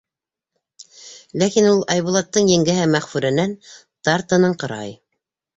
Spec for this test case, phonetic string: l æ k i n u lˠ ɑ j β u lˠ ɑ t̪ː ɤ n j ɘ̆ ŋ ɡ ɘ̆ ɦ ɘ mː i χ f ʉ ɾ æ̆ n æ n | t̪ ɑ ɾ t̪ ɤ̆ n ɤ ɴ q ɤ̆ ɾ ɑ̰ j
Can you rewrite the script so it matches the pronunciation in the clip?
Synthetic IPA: l æ k i n u lˠ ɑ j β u lˠ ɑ t̪ː ɤ ɴ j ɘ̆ ŋ ɡ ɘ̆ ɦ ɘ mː æ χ f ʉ ɾ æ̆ n æ n | t̪ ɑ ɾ t̪ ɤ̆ n ɤ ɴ q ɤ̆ ɾ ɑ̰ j

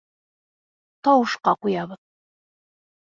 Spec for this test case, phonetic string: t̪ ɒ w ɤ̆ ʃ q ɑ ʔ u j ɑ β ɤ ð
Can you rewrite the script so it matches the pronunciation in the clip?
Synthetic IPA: t̪ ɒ w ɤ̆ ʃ q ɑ q u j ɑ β ɤ ð

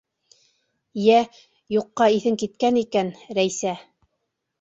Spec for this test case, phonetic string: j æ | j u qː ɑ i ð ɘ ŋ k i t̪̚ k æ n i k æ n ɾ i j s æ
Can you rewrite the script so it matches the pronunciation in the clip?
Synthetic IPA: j æ | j u qː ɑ i θ ɘ ŋ k i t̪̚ k æ n i k æ n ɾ æ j s æ

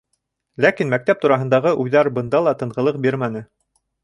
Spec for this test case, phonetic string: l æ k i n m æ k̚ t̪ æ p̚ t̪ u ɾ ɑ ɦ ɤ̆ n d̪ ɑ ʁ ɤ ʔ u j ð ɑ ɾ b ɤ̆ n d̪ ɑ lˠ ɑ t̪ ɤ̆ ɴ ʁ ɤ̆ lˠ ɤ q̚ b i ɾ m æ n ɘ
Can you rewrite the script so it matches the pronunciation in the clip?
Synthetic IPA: l æ k i n m æ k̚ t̪ æ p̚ t̪ u ɾ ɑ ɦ ɤ̆ n d̪ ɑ ʁ ɤ ʔ u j ð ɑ ɾ b ɤ̆ n d̪ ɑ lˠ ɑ t̪ ɤ̆ ɴ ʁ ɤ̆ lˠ ɤ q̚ b i ɾ m æ n ɘ

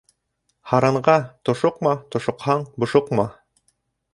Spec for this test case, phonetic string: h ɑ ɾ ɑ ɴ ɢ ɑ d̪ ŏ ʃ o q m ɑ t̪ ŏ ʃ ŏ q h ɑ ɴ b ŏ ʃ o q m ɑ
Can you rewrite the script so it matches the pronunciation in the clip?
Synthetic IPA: h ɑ ɾ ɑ ɴ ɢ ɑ t̪ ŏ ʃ o q m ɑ t̪ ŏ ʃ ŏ q h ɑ ɴ b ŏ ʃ o q m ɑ

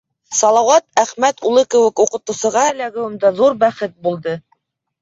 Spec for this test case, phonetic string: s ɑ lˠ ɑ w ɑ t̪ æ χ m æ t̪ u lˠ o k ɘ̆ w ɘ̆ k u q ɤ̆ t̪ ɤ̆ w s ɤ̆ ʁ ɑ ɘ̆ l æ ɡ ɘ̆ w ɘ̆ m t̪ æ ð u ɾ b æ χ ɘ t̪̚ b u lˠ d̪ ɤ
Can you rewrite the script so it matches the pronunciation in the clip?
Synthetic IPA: s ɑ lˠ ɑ w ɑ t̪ æ χ m æ t̪ u lˠ ɤ k ɘ̆ w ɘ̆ k u q ɤ̆ t̪ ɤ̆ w s ɤ̆ ʁ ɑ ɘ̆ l æ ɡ ɘ̆ w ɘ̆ m d̪ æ ð u ɾ b æ χ ɘ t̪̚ b u lˠ d̪ ɤ

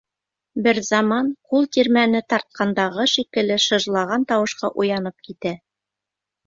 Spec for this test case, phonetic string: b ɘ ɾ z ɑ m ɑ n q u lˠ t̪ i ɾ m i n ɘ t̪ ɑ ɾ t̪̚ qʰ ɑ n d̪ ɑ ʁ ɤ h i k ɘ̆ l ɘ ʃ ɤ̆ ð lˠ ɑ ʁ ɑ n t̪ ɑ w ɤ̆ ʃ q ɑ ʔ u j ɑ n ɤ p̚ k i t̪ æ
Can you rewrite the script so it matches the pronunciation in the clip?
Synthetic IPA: b ɘ ɾ z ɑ m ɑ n q u lˠ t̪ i ɾ m æ n ɘ t̪ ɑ ɾ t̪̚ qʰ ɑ n d̪ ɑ ʁ ɤ ʃ i k ɘ̆ l ɘ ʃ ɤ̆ ʒ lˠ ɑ ʁ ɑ n t̪ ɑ w ɤ̆ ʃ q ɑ ʔ u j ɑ n ɤ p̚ k i t̪ æ

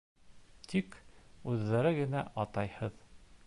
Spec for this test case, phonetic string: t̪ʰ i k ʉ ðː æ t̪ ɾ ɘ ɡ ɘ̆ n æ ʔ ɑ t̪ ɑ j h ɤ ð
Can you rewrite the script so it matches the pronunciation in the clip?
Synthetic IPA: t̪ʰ i k ʉ ðː æ ɾ ɘ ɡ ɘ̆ n æ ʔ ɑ t̪ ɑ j h ɤ ð

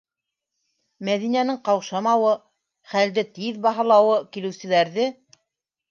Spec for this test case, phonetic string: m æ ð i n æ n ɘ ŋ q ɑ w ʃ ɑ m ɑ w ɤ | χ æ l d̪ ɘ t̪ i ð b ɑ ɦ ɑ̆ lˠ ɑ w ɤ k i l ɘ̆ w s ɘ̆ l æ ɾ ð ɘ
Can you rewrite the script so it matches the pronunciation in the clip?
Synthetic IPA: m æ ð i n æ n ɘ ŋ q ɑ w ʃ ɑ m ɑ w ɤ | χ æ l d̪ ɘ t̪ i ð b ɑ ɦ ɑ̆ lˠ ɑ w ɤ k i l ɘ̆ w s ɘ̆ l æ ɾ ð ɘ

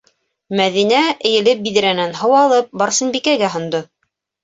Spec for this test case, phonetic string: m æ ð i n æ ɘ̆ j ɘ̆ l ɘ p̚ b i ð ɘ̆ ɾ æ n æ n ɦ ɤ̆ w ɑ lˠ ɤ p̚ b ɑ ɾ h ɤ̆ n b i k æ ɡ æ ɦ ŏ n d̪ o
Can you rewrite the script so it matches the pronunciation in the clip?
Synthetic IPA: m æ ð i n æ ɘ̆ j ɘ̆ l ɘ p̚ b i ð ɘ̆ ɾ æ n æ n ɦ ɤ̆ w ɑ lˠ ɤ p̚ b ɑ ɾ s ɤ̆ n b i k æ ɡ æ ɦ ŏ n d̪ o

